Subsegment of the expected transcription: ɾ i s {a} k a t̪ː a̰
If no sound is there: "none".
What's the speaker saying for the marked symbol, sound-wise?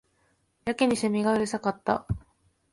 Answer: a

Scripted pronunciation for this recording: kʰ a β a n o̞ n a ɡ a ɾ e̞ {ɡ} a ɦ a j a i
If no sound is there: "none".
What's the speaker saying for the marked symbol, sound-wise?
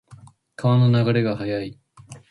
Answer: ɡ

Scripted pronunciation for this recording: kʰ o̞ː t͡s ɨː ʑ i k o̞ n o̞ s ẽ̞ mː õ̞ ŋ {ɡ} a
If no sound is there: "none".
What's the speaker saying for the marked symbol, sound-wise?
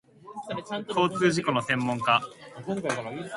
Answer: k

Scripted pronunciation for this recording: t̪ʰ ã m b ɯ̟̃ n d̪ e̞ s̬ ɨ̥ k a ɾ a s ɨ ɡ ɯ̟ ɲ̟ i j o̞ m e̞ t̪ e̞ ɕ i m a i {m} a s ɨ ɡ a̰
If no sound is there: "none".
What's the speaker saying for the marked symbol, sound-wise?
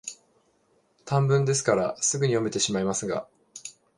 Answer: m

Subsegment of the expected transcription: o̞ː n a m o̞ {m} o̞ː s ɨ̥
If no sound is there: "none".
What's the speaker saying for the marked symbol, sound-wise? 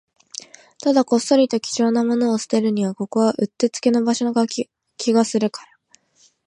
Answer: n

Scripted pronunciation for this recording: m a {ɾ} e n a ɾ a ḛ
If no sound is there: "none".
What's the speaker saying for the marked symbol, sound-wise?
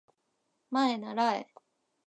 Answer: none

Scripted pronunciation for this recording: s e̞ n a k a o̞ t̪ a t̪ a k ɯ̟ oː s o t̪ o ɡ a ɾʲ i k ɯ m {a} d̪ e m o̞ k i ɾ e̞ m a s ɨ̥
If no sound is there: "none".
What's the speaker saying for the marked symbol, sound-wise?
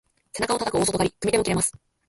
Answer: i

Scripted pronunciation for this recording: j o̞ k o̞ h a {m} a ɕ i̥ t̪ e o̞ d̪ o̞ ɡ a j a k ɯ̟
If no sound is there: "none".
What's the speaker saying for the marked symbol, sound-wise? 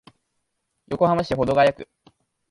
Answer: m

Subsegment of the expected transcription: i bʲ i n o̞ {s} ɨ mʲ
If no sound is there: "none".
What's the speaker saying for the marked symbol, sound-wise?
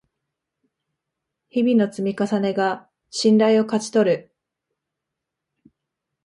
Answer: t͡s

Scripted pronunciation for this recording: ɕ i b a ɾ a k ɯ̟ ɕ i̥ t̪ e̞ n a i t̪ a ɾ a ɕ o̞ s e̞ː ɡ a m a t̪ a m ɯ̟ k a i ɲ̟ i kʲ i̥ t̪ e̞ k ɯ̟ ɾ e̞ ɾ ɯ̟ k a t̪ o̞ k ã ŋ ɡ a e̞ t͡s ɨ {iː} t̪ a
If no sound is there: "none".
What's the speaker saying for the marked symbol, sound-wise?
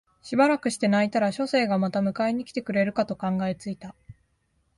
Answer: i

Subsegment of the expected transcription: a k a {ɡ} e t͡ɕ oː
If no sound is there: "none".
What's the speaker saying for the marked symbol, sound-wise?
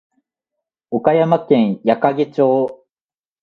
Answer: ɡ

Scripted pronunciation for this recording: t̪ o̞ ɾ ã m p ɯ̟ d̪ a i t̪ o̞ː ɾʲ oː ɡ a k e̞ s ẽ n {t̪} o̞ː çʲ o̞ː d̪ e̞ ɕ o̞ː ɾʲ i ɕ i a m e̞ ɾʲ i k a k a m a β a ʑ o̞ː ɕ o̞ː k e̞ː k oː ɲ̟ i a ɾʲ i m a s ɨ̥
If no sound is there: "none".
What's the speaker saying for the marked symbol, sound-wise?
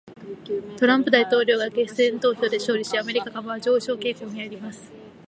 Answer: t̪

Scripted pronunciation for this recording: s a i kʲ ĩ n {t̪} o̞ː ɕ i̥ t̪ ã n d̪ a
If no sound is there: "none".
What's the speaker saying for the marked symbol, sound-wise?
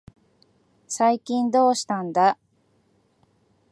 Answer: d̪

